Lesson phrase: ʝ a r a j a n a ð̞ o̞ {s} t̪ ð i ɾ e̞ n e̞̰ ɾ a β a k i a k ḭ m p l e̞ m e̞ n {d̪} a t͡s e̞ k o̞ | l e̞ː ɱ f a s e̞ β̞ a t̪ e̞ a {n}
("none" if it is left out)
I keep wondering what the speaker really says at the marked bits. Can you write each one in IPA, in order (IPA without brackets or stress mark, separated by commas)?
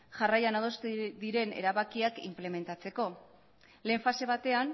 s, t̪, n